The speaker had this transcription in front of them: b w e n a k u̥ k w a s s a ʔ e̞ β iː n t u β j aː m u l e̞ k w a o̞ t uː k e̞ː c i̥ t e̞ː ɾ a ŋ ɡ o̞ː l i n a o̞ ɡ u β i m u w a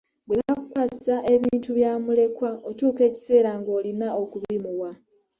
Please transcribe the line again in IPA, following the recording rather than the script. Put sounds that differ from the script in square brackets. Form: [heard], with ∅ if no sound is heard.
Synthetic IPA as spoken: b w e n a k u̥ k w a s s a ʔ e̞ β iː n t u β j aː m u l e̞ k w a o̞ t uː k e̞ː c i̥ [s] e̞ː ɾ a ŋ ɡ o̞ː l i n a o̞ [k] u β i m u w a